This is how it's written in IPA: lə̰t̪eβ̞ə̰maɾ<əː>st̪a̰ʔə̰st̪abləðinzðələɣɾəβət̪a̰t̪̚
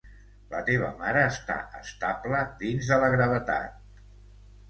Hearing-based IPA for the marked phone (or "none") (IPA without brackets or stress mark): əː